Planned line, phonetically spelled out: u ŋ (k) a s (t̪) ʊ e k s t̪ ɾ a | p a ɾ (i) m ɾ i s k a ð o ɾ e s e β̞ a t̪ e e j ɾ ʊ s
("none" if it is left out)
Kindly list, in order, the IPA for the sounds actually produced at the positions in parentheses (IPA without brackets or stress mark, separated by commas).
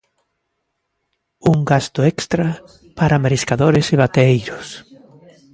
ɡ, t̪, a